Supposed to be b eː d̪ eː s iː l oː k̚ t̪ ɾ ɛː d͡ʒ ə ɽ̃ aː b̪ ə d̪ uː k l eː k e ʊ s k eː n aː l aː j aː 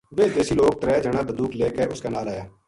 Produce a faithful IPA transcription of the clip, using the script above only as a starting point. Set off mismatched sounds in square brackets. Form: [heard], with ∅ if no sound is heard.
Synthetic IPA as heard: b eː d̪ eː s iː l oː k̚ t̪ ɾ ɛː d͡ʒ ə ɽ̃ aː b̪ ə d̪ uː k l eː k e ʊ s k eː n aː l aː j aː

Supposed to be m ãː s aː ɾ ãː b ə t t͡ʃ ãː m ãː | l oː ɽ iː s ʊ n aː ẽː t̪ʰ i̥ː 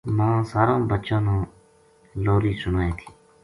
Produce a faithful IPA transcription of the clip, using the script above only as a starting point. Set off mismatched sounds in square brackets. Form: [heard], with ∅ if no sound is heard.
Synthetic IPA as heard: m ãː s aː ɾ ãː b ə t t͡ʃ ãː [n] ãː | l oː [ɾ] iː s ʊ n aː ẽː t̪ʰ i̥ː

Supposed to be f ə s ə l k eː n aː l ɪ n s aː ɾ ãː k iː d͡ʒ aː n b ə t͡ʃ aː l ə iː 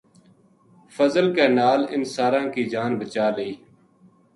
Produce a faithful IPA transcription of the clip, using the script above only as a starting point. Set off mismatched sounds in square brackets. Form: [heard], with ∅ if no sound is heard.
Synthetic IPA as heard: f ə [z] ə l k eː n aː l ɪ n s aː ɾ ãː k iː d͡ʒ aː n b ə t͡ʃ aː l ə iː

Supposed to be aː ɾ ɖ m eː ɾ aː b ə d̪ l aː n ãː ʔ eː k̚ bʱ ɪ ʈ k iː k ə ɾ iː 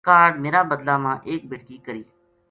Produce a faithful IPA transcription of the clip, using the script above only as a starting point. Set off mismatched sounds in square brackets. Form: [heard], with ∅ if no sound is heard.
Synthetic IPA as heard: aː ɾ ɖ m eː ɾ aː b ə d̪ l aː [m] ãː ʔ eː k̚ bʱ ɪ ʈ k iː k ə ɾ iː

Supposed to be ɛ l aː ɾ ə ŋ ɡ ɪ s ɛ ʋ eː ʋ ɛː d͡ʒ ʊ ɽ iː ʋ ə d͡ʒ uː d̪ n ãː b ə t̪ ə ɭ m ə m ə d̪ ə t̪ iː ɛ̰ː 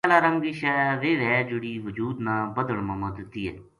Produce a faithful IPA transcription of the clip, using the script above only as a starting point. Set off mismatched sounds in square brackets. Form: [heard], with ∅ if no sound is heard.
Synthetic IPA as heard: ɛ l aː ɾ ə ŋ ɡ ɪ [ʃ] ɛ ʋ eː ʋ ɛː d͡ʒ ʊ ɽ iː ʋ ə d͡ʒ uː d̪ n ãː b ə [d̪] ə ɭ m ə m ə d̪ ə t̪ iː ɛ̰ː

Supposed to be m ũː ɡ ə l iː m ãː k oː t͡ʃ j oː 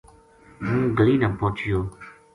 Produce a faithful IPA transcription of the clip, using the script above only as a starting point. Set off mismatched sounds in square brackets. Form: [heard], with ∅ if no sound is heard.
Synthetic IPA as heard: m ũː ɡ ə l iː [n] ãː [p] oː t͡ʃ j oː

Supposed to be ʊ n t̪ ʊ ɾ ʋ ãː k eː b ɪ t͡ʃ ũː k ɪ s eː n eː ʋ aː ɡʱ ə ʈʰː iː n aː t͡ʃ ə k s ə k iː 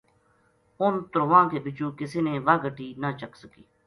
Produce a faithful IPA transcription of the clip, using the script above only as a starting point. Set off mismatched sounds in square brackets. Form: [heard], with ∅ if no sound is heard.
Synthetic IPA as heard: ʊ n t̪ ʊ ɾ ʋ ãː k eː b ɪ t͡ʃ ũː k ɪ s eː n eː ʋ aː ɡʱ ə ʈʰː iː n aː t͡ʃ ə k s ə k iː

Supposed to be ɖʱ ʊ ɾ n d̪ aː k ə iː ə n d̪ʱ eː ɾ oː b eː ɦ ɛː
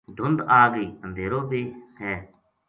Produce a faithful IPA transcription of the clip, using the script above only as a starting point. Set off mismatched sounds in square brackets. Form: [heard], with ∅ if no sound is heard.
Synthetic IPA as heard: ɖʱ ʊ [∅] n d̪ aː [ɡ] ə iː ə n d̪ʱ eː ɾ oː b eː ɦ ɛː

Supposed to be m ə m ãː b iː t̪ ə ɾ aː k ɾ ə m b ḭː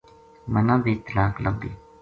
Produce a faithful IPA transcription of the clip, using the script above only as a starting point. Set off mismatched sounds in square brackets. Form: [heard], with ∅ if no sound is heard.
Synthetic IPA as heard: m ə [n] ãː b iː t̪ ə [l] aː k [l] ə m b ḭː

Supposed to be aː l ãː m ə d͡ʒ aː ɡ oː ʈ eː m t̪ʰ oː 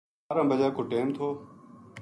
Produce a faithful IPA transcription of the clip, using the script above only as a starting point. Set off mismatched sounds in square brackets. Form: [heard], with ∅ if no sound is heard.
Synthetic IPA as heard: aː [ɾ] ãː [b] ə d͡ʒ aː [k] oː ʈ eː m t̪ʰ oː

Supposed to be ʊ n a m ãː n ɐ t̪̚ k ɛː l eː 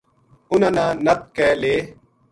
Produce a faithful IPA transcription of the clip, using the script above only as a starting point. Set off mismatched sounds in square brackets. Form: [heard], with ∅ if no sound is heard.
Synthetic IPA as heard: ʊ n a [n] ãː n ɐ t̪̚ k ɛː l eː

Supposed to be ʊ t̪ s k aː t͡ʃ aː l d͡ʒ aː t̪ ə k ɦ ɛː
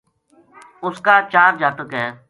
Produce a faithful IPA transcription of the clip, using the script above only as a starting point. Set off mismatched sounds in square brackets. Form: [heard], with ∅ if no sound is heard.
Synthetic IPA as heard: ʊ [∅] s k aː t͡ʃ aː [ɾ] d͡ʒ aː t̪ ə k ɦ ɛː

